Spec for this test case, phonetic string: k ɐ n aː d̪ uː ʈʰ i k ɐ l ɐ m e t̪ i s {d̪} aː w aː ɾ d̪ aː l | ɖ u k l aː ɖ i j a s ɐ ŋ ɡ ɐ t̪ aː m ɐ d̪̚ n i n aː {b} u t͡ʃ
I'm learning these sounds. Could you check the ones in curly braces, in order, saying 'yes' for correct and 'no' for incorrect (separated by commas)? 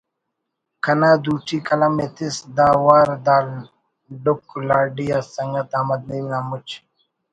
yes, no